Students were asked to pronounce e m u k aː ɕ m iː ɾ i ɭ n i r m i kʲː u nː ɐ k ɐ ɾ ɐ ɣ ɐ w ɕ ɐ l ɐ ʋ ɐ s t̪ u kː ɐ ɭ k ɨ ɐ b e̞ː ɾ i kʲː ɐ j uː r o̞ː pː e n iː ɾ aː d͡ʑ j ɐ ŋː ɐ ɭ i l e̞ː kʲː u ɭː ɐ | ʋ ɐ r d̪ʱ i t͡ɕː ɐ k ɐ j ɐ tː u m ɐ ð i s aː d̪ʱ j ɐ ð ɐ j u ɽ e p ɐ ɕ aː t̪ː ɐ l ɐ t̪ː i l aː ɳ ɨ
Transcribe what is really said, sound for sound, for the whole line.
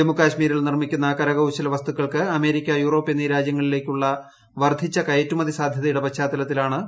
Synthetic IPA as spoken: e m u k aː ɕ m iː ɾ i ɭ n i r m i kʲː u nː ɐ k ɐ ɾ ɐ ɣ ɐ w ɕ ɐ l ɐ ʋ ɐ s t̪ u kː ɐ ɭ k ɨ ɐ m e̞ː ɾ i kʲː ɐ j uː r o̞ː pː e n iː ɾ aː d͡ʑ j ɐ ŋː ɐ ɭ i l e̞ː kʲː u ɭː ɐ | ʋ ɐ r d̪ʱ i t͡ɕː ɐ k ɐ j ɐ tː u m ɐ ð i s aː d̪ʱ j ɐ ð ɐ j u ɽ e p ɐ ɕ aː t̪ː ɐ l ɐ t̪ː i l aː ɳ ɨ

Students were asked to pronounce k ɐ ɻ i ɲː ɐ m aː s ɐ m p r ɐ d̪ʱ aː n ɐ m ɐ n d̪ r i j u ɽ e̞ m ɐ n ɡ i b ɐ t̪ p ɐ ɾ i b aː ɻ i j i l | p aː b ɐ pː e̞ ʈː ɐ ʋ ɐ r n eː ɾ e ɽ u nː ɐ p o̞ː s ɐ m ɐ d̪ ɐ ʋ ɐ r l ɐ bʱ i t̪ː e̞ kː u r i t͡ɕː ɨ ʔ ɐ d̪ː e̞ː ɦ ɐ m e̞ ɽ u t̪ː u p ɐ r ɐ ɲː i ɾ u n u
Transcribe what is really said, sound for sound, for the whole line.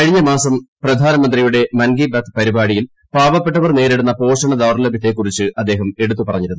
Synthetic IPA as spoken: k ɐ ɻ i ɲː ɐ m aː s ɐ m p r ɐ d̪ʱ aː n ɐ m ɐ n d̪ r i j u ɽ e̞ m ɐ n ɡ i b ɐ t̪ p ɐ ɾ i b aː ɻ i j i l | p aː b ɐ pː e̞ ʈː ɐ ʋ ɐ r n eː ɾ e ɽ u nː ɐ p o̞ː ʂ ɐ ɳ ɐ d̪ ɐ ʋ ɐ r l ɐ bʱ i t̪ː e̞ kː u r i t͡ɕː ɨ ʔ ɐ d̪ː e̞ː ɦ ɐ m e̞ ɽ u t̪ː u p ɐ r ɐ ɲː i ɾ u n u

